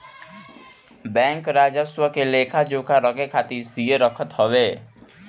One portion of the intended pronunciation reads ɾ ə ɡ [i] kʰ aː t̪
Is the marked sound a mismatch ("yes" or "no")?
yes